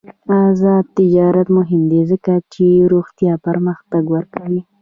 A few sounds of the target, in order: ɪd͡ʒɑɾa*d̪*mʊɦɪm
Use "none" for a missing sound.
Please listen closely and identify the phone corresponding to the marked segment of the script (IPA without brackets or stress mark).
t̪